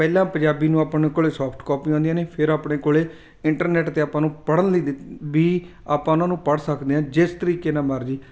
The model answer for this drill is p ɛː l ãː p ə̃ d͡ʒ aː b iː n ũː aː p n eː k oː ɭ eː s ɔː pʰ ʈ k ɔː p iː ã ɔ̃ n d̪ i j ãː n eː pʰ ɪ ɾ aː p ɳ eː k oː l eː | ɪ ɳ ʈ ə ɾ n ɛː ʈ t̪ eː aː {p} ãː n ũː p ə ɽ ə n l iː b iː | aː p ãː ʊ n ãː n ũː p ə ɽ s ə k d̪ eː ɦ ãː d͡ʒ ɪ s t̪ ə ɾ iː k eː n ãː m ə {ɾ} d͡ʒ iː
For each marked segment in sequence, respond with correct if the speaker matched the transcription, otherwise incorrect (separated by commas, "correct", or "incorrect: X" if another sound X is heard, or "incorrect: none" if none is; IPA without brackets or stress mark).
correct, correct